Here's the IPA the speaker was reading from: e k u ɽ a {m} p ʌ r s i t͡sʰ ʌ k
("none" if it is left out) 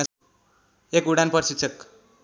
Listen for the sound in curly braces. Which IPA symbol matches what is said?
n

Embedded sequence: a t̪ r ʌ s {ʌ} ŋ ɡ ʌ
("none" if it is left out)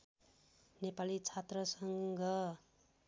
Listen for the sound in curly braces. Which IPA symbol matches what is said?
ʌ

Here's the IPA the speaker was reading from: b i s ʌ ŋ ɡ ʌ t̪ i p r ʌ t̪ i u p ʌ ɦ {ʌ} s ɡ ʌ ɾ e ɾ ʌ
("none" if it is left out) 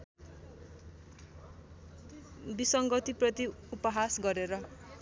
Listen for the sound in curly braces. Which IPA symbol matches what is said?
a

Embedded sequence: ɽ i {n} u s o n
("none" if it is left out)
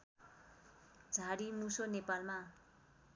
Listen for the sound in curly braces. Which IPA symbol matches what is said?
m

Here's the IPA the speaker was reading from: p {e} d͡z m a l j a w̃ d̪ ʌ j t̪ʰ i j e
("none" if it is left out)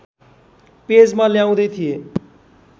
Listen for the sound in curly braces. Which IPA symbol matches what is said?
e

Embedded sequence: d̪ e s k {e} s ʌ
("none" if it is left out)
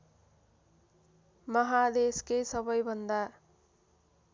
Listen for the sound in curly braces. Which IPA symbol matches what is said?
e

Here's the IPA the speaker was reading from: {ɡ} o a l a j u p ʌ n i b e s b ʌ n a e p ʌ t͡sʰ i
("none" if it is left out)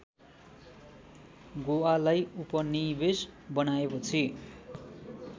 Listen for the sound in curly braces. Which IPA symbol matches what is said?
ɡ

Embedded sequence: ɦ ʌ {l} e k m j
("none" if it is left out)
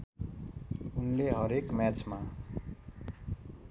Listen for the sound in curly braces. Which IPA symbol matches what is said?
ɾ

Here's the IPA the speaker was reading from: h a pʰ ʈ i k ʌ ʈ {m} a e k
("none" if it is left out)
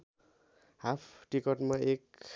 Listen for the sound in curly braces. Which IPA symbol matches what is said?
m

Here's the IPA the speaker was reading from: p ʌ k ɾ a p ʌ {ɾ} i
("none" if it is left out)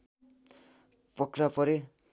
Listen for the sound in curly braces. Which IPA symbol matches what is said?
ɾ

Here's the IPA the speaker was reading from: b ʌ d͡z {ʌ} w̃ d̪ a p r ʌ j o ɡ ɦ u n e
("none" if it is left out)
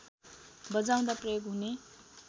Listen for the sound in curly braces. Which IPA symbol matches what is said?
a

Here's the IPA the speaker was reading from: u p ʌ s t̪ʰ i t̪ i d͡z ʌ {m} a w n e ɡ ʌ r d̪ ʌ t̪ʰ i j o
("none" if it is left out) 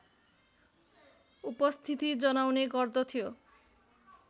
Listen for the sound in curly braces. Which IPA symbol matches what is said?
n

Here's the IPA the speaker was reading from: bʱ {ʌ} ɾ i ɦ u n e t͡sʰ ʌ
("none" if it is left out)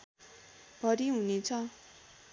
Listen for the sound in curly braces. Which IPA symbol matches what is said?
ʌ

